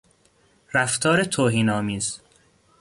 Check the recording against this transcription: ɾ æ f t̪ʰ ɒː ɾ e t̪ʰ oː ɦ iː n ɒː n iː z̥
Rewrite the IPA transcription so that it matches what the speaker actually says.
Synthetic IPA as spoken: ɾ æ f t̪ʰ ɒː ɾ e t̪ʰ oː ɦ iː n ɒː m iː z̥